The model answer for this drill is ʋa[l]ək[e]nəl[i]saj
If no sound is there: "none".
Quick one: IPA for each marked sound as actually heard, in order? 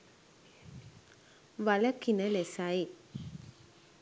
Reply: l, i, e

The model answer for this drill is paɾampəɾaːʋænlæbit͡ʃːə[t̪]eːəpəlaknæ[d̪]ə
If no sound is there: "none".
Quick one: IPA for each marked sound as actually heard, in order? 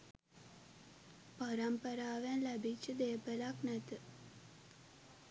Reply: d̪, t̪

